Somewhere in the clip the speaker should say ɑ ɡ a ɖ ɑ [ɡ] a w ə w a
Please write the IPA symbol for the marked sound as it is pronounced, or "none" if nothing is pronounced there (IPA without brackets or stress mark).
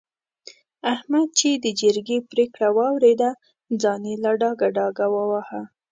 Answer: ɡ